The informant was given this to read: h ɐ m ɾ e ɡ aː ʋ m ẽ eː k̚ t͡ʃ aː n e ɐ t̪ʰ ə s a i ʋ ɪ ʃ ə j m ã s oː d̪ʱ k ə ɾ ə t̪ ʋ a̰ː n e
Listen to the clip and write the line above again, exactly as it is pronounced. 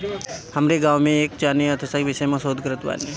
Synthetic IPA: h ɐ m ɾ e ɡ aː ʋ m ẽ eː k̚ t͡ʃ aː n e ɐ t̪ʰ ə s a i ʋ ɪ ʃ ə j m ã s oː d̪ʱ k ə ɾ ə t̪ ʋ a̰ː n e